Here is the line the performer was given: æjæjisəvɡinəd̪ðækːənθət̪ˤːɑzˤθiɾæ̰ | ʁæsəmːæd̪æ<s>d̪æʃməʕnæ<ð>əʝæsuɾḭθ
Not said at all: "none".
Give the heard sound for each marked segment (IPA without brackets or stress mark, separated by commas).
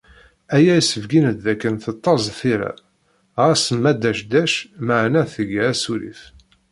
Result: ʃ, θ